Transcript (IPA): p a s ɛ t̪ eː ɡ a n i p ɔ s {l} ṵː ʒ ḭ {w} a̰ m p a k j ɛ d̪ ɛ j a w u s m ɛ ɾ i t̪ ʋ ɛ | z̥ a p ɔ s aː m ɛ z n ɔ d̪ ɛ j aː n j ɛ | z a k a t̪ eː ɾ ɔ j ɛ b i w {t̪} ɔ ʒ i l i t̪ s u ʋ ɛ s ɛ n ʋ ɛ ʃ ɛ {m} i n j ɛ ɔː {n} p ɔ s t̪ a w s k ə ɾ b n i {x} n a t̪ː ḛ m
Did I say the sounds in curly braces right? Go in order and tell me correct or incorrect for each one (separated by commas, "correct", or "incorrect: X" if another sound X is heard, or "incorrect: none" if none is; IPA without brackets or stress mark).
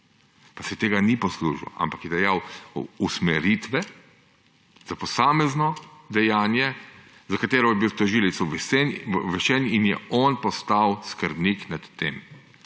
correct, correct, correct, incorrect: n, correct, incorrect: k